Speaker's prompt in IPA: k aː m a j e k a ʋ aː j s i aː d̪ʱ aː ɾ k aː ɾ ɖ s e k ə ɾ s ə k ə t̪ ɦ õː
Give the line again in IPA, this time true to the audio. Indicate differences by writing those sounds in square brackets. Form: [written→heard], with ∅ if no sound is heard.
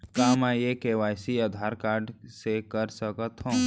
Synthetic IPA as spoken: k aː m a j e k [a→e] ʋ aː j s i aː d̪ʱ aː ɾ k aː ɾ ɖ s e k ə ɾ s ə k ə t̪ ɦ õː